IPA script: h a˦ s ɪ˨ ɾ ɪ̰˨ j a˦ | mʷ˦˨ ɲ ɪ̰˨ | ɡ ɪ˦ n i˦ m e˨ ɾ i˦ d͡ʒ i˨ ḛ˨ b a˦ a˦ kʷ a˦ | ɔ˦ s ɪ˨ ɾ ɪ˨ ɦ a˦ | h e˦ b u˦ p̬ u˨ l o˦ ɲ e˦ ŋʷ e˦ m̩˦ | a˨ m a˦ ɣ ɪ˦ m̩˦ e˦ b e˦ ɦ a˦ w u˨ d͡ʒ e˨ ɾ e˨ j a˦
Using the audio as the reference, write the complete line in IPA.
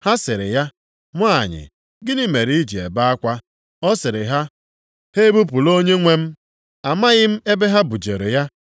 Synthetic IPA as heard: h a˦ s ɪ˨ ɾ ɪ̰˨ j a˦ | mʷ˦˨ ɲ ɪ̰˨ | ɡ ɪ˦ n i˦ m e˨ ɾ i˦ d͡ʒ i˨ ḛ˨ b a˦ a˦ kʷ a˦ | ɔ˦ s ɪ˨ ɾ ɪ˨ ɦ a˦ | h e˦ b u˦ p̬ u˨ l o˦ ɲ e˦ ŋʷ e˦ m̩˦ | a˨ m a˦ ɣ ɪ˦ m̩˦ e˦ b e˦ ɦ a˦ b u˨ d͡ʒ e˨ ɾ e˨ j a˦